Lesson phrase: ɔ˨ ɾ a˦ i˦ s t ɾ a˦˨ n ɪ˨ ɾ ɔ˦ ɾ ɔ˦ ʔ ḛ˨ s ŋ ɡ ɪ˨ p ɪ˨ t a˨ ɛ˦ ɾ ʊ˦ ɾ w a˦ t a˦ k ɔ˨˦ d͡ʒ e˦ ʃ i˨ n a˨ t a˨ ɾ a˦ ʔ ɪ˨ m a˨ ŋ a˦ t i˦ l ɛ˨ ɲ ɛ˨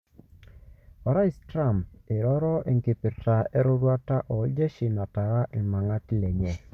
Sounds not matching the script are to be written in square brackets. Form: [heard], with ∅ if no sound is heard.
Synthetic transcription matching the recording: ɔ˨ ɾ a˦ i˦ s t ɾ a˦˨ [m] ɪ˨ ɾ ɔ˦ ɾ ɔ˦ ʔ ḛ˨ [∅] ŋ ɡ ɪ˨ p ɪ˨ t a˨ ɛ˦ ɾ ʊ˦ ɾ w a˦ t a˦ [ʔ] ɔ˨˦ d͡ʒ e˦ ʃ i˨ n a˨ t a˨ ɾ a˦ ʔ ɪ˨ m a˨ ŋ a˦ t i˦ l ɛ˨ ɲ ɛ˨

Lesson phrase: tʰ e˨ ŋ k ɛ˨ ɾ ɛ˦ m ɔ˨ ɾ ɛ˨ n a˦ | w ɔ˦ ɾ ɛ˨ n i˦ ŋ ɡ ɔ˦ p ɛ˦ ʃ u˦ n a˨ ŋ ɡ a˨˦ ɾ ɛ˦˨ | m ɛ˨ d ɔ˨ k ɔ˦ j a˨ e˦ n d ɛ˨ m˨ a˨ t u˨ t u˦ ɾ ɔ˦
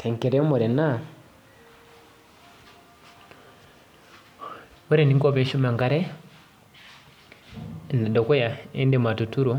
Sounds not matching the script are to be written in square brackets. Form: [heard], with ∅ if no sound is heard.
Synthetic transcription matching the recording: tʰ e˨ ŋ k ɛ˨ ɾ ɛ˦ m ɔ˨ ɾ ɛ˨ n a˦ | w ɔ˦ ɾ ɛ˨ n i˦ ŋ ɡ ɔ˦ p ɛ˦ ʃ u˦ [m] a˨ ŋ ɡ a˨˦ ɾ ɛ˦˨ | [n] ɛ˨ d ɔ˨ k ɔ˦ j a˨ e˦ n d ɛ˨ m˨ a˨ t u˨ t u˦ ɾ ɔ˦

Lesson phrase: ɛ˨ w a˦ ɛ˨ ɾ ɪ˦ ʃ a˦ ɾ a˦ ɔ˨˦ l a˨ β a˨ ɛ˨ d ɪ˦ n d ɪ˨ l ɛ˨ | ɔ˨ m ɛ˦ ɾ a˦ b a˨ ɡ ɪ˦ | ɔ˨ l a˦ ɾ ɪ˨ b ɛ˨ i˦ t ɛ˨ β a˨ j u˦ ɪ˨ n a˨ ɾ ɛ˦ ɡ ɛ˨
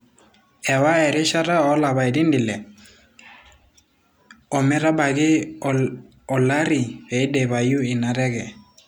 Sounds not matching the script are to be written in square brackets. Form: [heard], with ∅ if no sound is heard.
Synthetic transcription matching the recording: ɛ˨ w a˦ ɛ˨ ɾ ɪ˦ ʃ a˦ ɾ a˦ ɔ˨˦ l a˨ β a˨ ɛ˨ d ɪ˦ n d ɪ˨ l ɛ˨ | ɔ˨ m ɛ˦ ɾ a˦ b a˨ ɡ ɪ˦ | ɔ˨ l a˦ ɾ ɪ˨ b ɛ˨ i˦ [d] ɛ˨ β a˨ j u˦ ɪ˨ n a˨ ɾ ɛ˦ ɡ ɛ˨

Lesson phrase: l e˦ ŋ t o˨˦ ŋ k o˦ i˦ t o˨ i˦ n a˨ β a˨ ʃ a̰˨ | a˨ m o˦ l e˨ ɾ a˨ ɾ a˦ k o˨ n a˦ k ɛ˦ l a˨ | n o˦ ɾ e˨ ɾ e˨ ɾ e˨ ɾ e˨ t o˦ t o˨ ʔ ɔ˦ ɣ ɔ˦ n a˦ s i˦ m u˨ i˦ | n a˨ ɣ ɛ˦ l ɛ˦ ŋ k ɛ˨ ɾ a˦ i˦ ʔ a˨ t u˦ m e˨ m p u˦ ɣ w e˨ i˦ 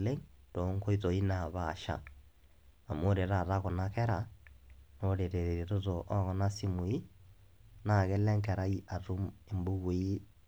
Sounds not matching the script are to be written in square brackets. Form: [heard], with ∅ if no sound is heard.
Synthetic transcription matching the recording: l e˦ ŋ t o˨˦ ŋ k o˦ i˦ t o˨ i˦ n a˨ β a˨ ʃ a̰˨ | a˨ m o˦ [ɾ] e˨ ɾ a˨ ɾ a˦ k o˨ n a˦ k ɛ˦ [ɾ] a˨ | n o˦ ɾ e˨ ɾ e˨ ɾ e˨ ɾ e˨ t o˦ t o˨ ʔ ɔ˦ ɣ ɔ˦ n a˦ s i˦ m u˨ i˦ | n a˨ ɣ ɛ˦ l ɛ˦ ŋ k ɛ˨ ɾ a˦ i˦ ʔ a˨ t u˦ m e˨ m [b] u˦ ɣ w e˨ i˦

